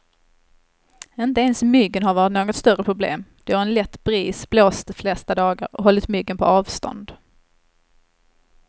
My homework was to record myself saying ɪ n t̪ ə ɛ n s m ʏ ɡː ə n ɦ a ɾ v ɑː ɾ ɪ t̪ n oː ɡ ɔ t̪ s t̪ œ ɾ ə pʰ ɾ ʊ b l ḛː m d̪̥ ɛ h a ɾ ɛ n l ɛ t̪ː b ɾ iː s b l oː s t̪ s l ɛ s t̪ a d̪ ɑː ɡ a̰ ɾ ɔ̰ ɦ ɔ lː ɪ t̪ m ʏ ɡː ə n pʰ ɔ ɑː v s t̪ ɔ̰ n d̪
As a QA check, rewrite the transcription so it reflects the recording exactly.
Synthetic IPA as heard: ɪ n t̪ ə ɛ n s m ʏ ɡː ə n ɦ a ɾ v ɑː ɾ ɪ t̪ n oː ɡ ɔ t̪ s t̪ œ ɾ ə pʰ ɾ ʊ b l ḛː m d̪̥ ɛ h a ɾ ɛ n l ɛ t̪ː b ɾ iː s b l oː s t̪ f l ɛ s t̪ a d̪ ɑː ɡ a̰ ɾ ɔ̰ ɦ ɔ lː ɪ t̪ m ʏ ɡː ə n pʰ ɔ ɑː v s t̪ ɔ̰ n d̪